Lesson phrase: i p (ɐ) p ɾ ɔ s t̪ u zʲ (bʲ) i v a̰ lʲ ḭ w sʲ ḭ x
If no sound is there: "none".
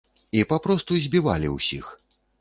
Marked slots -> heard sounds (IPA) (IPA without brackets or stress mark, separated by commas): a, bʲ